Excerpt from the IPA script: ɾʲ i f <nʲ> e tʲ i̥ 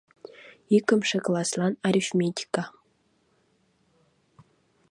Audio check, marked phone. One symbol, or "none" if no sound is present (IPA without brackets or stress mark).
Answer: mʲ